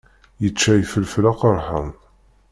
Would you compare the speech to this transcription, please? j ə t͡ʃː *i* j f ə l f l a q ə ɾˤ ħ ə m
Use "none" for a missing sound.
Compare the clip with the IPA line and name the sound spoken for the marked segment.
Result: æ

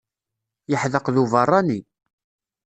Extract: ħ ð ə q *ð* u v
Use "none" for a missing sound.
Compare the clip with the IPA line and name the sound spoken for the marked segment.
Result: ð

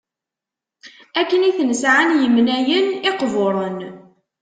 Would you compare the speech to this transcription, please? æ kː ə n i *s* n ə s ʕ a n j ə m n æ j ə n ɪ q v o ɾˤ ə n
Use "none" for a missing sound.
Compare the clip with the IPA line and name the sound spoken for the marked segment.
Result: θ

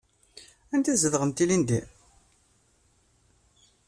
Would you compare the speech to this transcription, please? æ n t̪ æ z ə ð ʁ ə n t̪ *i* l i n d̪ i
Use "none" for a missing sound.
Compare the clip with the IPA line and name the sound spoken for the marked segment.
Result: i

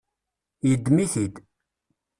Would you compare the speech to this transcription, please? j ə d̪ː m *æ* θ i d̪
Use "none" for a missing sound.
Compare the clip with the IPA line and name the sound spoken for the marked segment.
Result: i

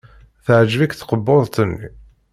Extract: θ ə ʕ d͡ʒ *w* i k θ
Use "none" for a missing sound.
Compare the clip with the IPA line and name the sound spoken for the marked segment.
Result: v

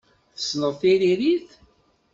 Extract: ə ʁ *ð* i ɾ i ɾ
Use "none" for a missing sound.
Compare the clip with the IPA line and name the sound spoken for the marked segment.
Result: θ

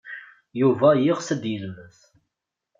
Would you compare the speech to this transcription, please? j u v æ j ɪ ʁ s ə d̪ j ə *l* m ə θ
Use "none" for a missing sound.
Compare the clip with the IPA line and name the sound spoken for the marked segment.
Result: l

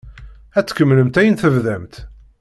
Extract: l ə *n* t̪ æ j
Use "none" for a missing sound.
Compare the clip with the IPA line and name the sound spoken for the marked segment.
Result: m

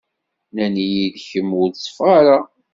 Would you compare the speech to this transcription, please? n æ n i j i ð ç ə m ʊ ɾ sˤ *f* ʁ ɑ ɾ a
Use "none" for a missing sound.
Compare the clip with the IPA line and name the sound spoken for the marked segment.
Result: f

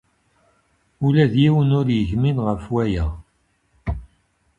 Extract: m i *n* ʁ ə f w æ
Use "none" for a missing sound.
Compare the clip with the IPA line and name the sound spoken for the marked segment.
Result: n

